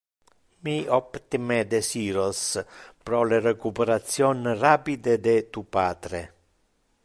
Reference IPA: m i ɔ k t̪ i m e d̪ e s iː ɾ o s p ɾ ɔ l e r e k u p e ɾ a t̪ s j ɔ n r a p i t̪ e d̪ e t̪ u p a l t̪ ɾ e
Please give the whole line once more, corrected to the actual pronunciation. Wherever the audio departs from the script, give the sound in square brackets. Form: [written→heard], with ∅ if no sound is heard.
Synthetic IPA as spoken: m i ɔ [k→p] t̪ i m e d̪ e s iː ɾ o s p ɾ ɔ l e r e k u p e ɾ a t̪ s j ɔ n r a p i [t̪→d̪] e d̪ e t̪ u p a [l→∅] t̪ ɾ e